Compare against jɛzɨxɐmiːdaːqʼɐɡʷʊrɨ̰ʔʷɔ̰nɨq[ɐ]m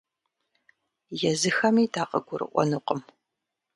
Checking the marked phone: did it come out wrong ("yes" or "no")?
yes